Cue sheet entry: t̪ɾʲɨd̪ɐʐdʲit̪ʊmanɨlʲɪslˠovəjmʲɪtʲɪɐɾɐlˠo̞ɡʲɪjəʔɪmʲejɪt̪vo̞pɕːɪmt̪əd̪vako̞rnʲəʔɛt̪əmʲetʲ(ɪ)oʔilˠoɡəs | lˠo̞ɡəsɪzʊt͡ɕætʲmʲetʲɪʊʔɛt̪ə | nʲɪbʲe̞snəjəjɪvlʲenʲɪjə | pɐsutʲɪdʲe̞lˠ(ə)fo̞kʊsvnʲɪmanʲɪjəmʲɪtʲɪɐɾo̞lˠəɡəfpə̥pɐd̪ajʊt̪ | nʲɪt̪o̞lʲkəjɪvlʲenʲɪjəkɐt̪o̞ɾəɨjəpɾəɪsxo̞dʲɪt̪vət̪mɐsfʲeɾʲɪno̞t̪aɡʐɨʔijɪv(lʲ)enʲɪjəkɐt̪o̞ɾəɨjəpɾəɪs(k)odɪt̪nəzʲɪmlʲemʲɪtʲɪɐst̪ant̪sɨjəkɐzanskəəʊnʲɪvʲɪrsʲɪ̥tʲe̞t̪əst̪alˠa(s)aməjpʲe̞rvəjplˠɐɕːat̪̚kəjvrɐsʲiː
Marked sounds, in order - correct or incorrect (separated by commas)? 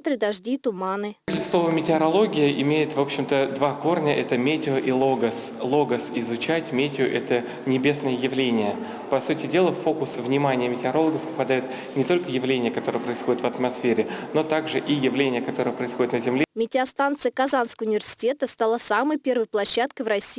correct, correct, correct, incorrect, correct